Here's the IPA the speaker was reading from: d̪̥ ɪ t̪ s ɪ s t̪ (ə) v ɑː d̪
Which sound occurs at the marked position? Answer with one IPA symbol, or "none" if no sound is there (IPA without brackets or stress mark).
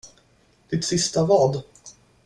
a